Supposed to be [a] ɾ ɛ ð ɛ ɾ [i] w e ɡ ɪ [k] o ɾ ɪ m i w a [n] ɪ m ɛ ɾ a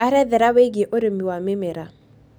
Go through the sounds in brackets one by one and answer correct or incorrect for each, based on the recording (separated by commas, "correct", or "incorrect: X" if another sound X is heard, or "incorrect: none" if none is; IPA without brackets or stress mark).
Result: correct, incorrect: a, incorrect: ʔ, incorrect: m